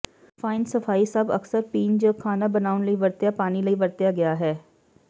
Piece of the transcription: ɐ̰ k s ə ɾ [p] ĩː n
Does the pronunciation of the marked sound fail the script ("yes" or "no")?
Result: no